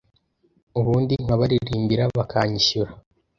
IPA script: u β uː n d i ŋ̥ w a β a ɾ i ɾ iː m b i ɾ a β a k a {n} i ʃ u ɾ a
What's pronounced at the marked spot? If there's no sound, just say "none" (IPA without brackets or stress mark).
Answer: ɲ